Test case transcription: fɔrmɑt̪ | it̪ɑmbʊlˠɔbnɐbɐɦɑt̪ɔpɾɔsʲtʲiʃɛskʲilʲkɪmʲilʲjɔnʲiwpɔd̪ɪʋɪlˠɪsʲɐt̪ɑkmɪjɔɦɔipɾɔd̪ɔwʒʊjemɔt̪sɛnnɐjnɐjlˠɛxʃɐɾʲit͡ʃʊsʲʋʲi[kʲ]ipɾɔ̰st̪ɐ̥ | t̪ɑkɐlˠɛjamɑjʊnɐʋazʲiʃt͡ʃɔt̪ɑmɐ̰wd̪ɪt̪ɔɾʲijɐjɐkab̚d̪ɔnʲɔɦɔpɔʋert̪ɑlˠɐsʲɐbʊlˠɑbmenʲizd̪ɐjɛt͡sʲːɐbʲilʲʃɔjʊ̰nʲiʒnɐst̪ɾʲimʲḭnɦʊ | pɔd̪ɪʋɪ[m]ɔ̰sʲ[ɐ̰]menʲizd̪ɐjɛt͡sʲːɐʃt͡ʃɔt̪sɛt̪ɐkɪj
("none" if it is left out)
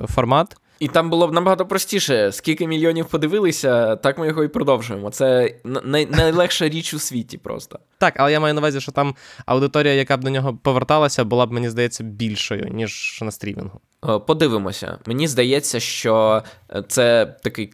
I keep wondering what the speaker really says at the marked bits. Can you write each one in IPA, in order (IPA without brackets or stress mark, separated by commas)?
tʲ, m, ɐ̰